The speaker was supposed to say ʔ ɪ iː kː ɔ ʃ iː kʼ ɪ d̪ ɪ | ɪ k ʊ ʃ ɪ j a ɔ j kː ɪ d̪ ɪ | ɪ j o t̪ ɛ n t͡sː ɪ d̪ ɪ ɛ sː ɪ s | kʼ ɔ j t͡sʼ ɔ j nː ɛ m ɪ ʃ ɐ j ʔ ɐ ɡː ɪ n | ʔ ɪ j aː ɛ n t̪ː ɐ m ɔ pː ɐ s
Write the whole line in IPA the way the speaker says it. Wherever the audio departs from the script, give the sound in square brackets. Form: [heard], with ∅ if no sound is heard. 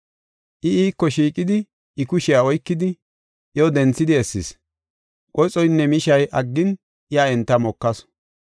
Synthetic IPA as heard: ʔ ɪ iː kː ɔ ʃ iː kʼ ɪ d̪ ɪ | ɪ k ʊ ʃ ɪ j a ɔ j kː ɪ d̪ ɪ | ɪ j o [d̪] ɛ n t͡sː ɪ d̪ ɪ ɛ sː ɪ s | kʼ ɔ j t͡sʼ ɔ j nː ɛ m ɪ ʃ ɐ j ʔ ɐ ɡː ɪ n | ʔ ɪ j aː ɛ n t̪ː ɐ m ɔ [kː] ɐ s